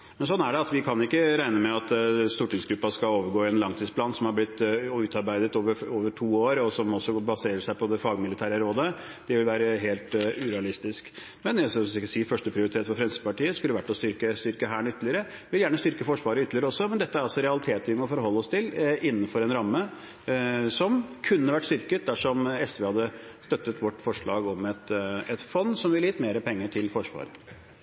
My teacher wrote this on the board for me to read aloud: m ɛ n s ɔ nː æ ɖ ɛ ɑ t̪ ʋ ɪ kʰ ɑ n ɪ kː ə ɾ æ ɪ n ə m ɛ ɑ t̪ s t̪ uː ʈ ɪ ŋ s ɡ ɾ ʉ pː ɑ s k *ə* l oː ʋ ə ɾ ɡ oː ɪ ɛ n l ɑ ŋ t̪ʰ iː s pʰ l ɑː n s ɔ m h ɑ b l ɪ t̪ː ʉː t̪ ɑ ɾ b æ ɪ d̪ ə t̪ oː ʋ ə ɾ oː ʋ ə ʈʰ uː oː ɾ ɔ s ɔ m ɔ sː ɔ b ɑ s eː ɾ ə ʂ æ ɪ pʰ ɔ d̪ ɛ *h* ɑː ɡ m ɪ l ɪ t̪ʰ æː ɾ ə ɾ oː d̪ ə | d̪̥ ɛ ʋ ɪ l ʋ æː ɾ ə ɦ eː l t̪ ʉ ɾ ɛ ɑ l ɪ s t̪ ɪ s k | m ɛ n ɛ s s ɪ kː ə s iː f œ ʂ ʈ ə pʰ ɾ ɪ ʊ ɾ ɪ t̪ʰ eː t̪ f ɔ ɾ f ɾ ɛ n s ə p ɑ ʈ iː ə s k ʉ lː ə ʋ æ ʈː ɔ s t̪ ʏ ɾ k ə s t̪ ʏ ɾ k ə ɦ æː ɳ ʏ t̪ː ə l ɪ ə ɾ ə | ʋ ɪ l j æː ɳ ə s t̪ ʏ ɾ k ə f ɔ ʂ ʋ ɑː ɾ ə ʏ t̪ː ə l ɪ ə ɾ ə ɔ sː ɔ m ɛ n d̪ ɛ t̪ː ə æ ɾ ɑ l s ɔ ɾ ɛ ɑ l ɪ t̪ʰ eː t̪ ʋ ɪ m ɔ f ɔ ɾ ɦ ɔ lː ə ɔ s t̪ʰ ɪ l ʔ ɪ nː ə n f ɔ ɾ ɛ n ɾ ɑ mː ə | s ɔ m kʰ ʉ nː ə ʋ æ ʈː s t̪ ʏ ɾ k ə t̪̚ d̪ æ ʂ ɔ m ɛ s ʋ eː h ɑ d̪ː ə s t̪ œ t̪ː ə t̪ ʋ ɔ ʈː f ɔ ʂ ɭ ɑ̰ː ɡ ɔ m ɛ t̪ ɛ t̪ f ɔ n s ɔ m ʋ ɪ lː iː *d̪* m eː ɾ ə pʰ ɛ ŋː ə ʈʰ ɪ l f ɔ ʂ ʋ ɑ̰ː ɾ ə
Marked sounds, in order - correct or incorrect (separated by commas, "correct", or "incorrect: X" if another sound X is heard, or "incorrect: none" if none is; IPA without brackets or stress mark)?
incorrect: ɑ, incorrect: f, incorrect: t̪